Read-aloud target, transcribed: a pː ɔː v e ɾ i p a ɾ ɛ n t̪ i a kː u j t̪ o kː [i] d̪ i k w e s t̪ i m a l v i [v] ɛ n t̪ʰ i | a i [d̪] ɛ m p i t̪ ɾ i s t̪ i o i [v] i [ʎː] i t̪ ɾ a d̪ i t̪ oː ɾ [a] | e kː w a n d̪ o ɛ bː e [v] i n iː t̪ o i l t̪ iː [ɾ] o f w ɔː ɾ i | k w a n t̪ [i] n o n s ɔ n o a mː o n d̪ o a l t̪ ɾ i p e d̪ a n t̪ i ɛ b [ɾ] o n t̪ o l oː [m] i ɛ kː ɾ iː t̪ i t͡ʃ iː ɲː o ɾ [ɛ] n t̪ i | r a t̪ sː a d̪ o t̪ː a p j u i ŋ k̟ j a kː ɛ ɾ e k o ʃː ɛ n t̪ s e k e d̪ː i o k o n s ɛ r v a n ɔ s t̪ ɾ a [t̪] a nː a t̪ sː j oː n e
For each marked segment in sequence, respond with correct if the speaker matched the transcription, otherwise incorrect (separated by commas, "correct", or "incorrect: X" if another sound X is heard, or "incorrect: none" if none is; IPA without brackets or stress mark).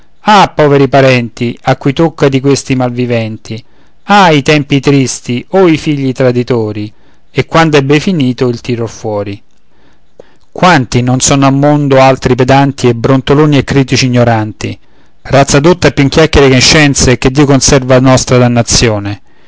incorrect: a, correct, incorrect: t̪, incorrect: f, correct, incorrect: i, incorrect: f, correct, correct, correct, incorrect: n, incorrect: a, incorrect: d̪